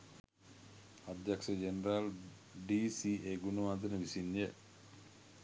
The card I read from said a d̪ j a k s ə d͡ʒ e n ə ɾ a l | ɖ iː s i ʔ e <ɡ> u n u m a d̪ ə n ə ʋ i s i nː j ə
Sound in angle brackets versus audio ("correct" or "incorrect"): correct